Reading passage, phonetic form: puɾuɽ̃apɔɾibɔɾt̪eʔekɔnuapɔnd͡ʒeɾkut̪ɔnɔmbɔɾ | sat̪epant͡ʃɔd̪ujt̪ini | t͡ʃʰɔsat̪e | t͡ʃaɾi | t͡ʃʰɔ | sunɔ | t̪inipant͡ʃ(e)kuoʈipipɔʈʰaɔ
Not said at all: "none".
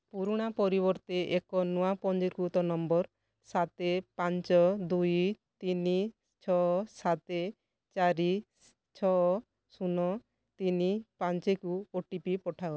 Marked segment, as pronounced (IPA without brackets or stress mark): e